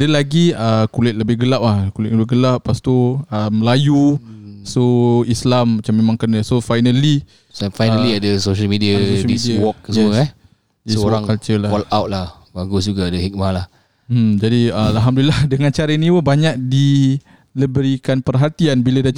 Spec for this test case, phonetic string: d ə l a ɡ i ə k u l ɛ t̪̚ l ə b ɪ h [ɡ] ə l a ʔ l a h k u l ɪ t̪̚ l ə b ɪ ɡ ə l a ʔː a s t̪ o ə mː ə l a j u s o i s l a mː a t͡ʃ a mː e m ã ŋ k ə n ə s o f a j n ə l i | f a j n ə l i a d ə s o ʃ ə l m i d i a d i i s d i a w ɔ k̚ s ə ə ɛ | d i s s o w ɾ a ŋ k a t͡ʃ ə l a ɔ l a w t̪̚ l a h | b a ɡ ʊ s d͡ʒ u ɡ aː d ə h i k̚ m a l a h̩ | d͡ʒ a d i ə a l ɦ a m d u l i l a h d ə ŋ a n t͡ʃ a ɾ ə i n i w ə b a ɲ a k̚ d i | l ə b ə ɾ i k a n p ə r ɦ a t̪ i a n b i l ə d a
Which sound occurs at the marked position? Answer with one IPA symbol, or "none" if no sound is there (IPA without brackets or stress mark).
ɡ